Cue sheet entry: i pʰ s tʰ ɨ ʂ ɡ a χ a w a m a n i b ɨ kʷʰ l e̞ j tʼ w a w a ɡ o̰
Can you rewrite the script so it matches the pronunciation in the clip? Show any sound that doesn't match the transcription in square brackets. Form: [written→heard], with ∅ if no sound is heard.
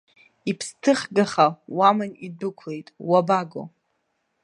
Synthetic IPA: i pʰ s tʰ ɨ [ʂ→χ] ɡ a χ a w a m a n i [b→d] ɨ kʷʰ l e̞ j tʼ w a [w→b] a ɡ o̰

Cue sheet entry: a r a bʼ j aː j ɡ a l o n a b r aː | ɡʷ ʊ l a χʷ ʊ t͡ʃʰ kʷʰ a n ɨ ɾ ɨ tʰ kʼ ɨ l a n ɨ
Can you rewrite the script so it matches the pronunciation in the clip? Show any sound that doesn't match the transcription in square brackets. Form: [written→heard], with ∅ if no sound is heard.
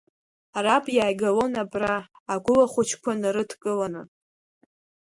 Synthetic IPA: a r a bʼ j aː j ɡ a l o n a b r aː | ɡʷ ʊ l a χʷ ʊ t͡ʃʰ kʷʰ a n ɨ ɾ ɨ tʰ kʼ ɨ l a n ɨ

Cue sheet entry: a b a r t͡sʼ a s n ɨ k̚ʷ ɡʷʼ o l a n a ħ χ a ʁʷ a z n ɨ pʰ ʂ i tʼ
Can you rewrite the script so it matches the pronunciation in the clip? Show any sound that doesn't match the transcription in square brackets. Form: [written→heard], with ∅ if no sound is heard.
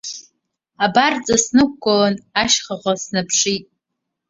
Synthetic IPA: a b a r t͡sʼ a s n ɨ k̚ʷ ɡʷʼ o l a n a [ħ→ʃ] χ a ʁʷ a [z→s] n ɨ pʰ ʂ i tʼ

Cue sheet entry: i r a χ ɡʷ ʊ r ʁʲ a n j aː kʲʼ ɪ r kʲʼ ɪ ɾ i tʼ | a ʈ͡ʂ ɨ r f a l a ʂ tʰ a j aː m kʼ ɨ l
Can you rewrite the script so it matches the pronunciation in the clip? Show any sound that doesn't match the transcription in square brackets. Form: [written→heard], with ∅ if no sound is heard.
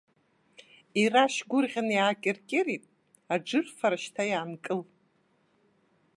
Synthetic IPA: i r a [χ→ʃ] ɡʷ ʊ r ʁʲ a n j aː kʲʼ ɪ r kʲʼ ɪ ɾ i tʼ | a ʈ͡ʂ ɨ r f a [l→ɾ] a [ʂ→ʃ] tʰ a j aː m kʼ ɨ l

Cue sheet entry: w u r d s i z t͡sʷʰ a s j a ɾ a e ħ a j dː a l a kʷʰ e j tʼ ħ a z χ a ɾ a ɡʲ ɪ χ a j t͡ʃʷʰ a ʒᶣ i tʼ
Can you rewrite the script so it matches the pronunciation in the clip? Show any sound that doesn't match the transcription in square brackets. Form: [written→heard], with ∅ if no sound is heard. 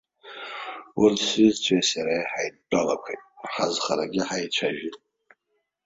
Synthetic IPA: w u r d s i z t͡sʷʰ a s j a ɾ a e ħ a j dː a l a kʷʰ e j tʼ ħ a z χ a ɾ a ɡʲ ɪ [χ→ħ] a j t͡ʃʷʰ a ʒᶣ i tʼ

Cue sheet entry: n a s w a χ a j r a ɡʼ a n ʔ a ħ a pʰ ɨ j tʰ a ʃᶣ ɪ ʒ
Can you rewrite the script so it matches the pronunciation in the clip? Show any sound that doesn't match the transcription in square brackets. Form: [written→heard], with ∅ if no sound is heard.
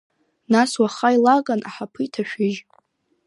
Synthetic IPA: n a s w a χ a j [r→l] a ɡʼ a n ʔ a ħ a pʰ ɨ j tʰ a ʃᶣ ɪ ʒ

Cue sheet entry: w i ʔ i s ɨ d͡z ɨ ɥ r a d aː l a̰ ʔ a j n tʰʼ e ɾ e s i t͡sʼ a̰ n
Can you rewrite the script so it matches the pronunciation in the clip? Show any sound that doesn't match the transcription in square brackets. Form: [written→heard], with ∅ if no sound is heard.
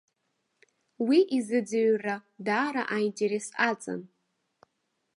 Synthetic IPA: w i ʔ i [s→z] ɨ d͡z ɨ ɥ r a d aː [l→ɾ] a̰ ʔ a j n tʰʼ e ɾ e s [i→a] t͡sʼ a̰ n

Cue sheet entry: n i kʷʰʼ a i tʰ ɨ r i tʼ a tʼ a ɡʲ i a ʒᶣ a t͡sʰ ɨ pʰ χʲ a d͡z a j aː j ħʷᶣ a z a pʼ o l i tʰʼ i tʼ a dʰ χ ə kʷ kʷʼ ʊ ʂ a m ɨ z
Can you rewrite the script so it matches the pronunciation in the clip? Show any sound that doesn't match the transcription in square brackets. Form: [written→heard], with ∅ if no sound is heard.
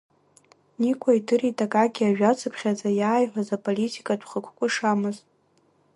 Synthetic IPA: n i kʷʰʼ a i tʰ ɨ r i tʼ a [tʼ→kʼ] a ɡʲ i a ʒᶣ a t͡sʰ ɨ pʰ χʲ a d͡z a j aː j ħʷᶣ a z a pʼ o l i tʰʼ i [tʼ→kʼ] a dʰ χ ə kʷ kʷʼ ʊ ʂ a m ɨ z

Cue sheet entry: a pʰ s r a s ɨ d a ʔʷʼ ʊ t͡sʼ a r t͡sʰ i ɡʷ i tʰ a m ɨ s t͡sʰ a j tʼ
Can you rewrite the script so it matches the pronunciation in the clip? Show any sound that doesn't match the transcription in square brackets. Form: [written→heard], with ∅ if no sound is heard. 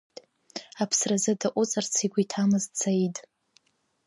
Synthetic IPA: a pʰ s r a [s→z] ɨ d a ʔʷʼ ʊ t͡sʼ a r t͡sʰ i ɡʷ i tʰ a m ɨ [s→z] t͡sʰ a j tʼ

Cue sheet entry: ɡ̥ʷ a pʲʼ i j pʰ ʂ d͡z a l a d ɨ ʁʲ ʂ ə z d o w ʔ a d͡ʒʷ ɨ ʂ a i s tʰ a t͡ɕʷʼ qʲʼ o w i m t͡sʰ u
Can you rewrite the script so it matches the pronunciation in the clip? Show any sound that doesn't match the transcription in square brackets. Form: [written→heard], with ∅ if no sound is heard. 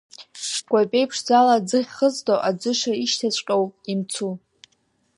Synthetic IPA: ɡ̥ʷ a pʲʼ [i→e] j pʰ ʂ d͡z a l a [d→d͡z] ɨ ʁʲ [ʂ→χ] ə z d o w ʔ a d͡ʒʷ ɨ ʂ a i [s→ʃ] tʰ a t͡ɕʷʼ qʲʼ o w i m t͡sʰ u

